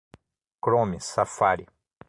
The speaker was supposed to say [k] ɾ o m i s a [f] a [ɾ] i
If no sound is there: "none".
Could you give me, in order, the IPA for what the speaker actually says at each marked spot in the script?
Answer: k, f, ɾ

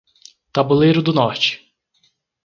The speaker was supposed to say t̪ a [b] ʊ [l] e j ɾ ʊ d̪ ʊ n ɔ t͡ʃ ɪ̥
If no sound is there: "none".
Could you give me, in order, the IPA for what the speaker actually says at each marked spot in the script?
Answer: b, l

